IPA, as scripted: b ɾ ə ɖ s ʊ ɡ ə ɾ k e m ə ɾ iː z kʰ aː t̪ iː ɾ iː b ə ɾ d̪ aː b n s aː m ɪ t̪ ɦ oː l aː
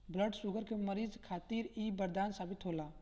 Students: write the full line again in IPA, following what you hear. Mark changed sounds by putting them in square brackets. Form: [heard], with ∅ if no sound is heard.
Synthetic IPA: b [l] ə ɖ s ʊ ɡ ə ɾ k e m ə ɾ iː z kʰ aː t̪ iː ɾ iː b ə ɾ d̪ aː [∅] n s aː [b] ɪ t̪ ɦ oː l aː